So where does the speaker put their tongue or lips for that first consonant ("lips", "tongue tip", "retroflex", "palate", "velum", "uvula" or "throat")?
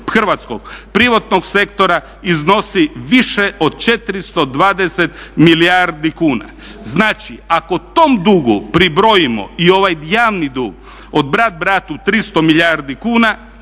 velum